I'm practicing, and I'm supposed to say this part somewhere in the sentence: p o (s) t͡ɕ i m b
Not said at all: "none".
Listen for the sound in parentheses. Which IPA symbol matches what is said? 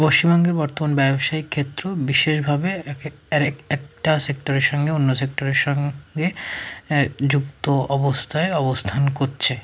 ʃ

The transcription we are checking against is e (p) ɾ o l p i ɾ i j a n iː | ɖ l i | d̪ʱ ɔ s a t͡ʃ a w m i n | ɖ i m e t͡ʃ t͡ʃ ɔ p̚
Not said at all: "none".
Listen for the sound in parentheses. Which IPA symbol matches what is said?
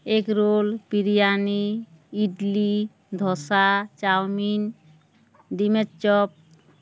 k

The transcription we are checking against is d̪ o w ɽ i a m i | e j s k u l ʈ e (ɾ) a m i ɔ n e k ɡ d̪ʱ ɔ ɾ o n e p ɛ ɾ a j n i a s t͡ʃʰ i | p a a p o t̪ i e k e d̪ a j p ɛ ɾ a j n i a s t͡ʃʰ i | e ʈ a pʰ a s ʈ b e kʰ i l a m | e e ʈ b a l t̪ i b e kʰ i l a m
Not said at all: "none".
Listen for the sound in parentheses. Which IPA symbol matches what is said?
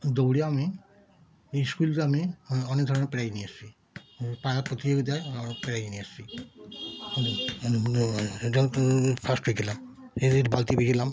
none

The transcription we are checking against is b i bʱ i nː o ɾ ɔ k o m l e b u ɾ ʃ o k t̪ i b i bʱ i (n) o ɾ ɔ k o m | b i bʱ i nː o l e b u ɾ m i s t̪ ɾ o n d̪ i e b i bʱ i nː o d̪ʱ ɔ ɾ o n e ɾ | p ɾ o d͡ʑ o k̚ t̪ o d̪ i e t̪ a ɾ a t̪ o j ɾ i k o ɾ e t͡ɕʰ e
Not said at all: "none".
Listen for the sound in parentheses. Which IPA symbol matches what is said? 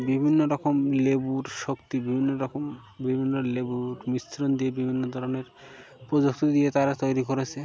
nː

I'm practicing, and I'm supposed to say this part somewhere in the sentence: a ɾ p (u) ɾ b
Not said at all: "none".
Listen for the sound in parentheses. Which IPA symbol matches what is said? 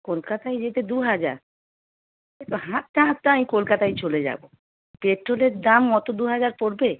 o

